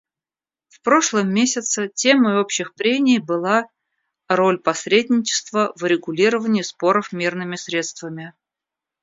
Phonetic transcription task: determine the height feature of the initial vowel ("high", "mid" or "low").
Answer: mid